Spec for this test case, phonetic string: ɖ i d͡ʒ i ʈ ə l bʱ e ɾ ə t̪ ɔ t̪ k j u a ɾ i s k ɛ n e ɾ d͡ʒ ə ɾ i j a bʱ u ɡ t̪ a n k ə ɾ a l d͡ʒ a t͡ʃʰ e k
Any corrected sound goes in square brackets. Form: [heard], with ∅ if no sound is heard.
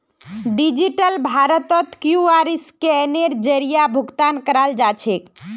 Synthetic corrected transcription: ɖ i d͡ʒ i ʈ ə l bʱ [a] ɾ ə t̪ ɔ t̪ k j u a ɾ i s k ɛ n e ɾ d͡ʒ ə ɾ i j a bʱ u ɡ t̪ a n k ə ɾ a l d͡ʒ a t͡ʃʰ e k